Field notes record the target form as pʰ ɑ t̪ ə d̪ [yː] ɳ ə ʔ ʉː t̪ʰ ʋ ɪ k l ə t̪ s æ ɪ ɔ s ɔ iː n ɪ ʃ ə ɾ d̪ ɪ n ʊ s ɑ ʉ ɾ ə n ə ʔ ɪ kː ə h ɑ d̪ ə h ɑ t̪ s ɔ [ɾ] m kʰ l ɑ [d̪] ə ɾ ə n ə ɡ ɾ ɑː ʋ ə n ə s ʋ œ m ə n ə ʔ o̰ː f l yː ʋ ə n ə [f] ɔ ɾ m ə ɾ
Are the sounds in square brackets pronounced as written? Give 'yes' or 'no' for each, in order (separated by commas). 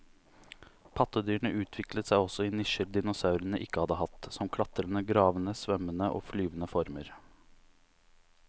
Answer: yes, no, no, yes